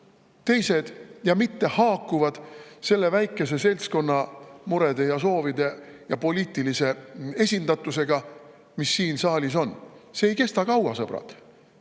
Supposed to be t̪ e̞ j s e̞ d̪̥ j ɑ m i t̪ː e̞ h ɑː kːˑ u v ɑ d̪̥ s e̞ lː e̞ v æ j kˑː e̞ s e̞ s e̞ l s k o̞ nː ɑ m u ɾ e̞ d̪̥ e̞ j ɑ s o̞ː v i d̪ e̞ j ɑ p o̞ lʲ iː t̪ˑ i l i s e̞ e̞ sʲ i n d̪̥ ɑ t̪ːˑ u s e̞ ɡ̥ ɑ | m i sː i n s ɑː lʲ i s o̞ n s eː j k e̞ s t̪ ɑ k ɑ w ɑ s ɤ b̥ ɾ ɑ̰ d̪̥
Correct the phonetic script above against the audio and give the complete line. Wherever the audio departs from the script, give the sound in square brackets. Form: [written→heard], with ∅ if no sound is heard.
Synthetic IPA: t̪ e̞ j s e̞ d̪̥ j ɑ m i t̪ː e̞ h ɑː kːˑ u v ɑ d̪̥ s e̞ lː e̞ v æ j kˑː e̞ s e̞ s e̞ l s k o̞ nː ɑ m u ɾ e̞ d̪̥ e̞ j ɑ s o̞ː v i d̪ e̞ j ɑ p o̞ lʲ iː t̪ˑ i l i s e̞ e̞ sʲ i n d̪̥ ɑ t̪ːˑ u s e̞ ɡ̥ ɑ | m i sː [i→iː] n s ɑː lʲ i s o̞ n s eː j k e̞ s t̪ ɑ k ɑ w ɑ s ɤ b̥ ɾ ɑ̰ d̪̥